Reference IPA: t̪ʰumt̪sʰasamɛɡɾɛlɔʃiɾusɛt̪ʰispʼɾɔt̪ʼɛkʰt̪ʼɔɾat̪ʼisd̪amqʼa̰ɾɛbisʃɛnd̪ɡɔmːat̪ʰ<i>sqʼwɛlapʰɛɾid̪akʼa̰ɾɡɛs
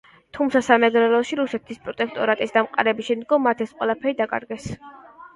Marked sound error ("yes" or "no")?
yes